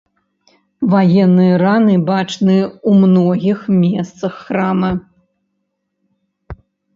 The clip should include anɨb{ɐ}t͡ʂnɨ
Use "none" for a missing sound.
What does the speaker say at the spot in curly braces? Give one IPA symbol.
a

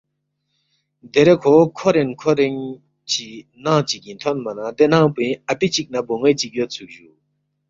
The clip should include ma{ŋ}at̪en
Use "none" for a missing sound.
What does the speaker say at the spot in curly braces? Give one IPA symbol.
n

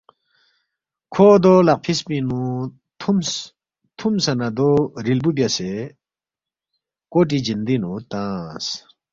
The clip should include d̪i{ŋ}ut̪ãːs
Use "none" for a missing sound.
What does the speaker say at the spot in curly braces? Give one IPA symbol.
n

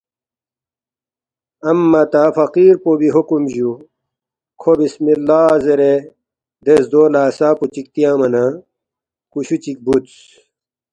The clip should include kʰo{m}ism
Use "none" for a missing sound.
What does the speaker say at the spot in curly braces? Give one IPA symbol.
b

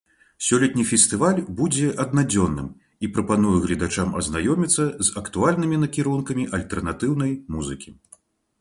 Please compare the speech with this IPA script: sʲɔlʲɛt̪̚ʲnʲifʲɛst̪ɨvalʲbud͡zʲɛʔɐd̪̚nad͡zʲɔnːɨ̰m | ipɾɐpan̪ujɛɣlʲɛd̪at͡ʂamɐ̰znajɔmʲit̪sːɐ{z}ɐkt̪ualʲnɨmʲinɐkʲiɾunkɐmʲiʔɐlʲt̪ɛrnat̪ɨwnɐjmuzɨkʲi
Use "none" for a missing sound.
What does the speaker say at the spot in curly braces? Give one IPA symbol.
z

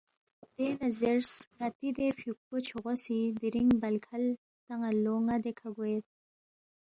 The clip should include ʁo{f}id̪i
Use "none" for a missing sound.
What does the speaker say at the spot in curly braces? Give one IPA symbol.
s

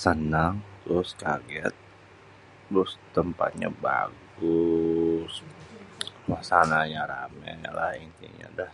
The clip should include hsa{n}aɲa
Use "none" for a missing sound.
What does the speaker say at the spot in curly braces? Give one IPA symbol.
n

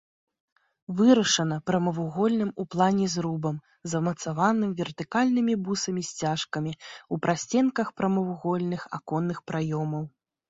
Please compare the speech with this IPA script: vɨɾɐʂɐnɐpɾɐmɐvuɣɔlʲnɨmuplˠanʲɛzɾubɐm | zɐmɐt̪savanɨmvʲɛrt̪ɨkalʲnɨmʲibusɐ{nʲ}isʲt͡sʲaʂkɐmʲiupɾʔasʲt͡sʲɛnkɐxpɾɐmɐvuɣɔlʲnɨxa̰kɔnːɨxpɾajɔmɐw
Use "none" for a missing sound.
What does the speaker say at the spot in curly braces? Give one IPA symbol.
mʲ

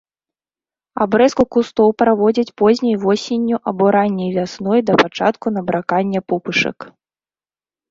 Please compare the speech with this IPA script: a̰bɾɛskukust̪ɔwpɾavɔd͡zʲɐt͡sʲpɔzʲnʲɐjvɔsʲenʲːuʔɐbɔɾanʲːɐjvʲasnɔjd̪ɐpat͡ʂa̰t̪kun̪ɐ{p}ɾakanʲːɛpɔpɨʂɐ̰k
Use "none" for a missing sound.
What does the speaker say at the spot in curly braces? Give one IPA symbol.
b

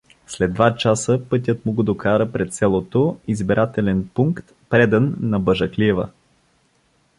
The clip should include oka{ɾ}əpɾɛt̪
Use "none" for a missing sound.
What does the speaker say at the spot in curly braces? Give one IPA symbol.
ɾ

